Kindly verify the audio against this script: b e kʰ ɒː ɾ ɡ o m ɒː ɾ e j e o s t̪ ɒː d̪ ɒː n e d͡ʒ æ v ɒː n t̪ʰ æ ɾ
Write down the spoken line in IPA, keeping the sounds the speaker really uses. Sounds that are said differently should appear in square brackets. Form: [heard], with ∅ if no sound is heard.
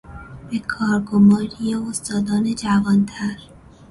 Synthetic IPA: b e kʰ ɒː ɾ ɡ o m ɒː ɾ [i] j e o s t̪ ɒː d̪ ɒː n e d͡ʒ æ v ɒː n t̪ʰ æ ɾ